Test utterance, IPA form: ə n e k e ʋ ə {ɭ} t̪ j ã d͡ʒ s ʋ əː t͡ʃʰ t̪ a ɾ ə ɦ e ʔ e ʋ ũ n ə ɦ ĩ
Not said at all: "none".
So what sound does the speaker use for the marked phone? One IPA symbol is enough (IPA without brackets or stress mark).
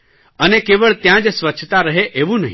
ɭ